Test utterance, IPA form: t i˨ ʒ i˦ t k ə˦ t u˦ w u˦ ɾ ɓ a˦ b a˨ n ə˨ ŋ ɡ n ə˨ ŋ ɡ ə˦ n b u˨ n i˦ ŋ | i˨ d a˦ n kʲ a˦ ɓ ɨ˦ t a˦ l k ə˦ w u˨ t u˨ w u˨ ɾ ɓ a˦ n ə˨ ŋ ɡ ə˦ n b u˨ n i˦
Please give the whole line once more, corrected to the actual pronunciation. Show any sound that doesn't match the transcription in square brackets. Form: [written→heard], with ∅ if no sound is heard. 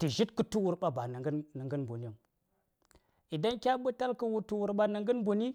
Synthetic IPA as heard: t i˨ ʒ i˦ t k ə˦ t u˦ w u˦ ɾ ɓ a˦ b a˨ n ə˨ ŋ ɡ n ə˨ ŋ ɡ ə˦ n b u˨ n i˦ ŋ | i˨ d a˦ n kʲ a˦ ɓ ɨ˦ t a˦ l k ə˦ w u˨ t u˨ w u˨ ɾ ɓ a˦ n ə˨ ŋ ɡ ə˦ n b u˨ n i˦